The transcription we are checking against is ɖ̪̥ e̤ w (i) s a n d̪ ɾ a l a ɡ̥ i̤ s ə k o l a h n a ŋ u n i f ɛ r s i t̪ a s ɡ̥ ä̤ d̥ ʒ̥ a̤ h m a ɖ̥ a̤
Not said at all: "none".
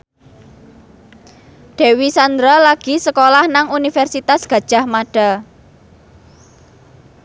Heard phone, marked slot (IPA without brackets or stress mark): i